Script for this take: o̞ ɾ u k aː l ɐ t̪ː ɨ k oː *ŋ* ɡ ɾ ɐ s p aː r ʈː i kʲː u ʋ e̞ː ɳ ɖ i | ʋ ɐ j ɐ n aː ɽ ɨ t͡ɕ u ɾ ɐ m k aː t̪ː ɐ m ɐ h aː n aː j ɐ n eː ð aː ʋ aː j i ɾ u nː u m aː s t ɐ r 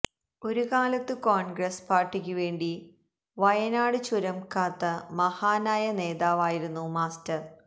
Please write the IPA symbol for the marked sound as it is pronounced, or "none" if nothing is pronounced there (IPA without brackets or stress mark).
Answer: ɳ